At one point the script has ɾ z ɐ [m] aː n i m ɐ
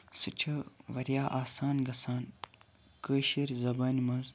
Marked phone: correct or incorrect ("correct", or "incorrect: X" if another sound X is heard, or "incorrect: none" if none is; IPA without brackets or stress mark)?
incorrect: b